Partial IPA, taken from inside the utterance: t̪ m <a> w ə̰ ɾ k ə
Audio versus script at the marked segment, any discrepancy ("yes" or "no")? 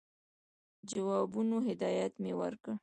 yes